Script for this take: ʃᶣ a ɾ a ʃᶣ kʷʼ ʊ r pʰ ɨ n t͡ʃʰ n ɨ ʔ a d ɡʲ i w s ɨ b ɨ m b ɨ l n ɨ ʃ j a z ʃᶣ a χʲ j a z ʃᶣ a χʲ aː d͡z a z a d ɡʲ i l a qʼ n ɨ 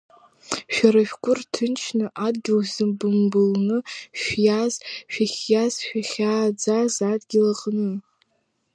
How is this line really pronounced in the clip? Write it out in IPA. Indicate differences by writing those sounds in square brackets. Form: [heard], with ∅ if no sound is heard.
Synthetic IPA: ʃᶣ a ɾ a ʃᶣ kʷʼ ʊ r [tʰ] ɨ n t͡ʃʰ n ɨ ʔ a d ɡʲ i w [z] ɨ b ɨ m b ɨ l n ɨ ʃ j a z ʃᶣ a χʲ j a z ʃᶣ a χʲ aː d͡z a z a d ɡʲ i l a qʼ n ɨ